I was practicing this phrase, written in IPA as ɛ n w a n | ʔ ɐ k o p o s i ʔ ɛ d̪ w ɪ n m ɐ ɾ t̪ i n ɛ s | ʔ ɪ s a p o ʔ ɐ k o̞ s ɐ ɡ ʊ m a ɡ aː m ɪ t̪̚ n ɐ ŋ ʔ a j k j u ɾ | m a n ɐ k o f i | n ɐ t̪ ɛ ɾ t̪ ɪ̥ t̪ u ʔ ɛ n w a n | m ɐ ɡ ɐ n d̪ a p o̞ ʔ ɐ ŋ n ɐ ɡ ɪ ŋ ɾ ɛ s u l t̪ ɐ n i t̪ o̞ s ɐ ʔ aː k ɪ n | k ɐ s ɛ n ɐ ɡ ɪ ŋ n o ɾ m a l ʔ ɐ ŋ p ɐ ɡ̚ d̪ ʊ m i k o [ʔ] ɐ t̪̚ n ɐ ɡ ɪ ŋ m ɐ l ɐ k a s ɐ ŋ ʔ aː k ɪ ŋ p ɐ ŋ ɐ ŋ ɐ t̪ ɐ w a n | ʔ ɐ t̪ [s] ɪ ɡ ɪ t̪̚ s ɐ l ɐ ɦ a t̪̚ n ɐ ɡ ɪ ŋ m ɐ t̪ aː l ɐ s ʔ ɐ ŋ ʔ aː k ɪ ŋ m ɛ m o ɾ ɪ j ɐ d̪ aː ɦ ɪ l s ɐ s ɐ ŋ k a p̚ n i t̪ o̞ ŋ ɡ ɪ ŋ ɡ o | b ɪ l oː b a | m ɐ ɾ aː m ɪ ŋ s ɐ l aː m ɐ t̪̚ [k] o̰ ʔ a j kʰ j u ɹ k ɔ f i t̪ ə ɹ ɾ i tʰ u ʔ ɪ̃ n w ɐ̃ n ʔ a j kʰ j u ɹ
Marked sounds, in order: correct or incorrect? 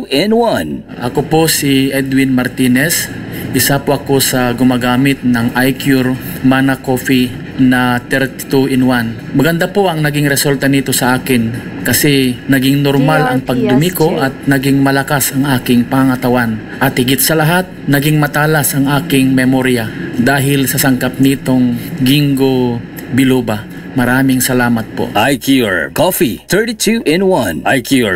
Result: correct, incorrect, incorrect

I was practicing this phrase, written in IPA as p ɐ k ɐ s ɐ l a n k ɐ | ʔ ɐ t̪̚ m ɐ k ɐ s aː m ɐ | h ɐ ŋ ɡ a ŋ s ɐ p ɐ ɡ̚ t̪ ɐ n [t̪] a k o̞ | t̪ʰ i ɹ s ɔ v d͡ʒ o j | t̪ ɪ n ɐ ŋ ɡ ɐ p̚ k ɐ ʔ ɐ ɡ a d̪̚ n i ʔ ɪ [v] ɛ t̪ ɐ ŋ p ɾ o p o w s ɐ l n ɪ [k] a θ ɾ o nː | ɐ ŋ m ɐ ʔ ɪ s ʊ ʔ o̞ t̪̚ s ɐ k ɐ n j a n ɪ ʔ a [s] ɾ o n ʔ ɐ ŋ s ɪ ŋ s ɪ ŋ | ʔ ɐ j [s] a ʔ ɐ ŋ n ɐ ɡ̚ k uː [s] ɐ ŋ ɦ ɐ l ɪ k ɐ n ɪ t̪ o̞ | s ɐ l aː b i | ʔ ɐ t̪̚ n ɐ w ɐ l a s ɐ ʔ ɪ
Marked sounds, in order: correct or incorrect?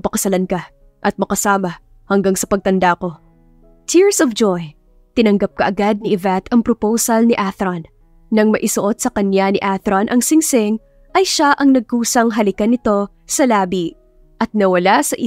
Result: incorrect, correct, incorrect, incorrect, incorrect, correct

